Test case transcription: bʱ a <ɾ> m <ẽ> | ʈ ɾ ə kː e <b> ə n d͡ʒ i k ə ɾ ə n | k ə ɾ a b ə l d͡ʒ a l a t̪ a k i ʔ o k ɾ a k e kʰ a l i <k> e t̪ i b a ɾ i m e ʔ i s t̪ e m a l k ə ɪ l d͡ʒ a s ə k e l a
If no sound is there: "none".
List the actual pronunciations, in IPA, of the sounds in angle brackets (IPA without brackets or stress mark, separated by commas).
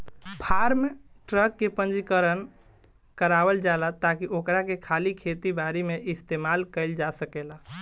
ɾ, e, p, kʰ